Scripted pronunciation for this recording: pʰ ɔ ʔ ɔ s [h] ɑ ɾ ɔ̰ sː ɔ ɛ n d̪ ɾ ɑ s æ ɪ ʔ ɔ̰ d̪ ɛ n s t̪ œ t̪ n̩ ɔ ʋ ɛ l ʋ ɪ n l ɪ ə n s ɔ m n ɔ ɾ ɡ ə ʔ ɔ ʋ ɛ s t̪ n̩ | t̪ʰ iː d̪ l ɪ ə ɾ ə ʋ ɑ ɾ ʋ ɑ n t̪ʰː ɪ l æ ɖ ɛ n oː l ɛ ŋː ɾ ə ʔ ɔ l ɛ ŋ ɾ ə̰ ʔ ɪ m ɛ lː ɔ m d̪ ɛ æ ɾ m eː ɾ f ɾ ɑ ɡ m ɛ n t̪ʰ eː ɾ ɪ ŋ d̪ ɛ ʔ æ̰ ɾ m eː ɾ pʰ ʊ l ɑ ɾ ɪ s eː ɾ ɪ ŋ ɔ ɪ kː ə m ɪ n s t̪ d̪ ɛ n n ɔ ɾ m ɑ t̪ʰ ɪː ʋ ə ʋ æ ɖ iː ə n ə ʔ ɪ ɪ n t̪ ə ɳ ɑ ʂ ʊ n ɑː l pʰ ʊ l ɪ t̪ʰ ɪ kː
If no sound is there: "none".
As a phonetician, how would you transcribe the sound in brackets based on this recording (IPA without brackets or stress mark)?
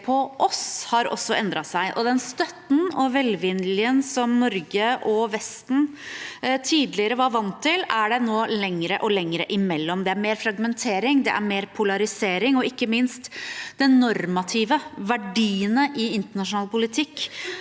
h